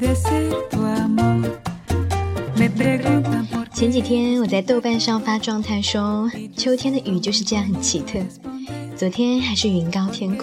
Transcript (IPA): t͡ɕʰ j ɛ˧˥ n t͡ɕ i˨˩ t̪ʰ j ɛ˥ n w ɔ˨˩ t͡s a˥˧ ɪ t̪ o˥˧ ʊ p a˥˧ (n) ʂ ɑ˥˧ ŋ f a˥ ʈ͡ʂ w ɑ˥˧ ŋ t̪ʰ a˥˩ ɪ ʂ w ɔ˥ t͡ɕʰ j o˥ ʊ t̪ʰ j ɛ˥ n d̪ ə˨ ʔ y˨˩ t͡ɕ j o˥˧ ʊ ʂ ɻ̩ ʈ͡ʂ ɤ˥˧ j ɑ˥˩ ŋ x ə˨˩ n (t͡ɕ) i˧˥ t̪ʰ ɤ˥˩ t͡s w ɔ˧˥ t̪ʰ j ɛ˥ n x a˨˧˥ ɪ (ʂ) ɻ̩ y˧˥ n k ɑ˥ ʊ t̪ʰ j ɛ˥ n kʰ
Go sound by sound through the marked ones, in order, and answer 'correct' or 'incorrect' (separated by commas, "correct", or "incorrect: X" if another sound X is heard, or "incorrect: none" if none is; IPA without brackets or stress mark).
correct, incorrect: t͡ɕʰ, correct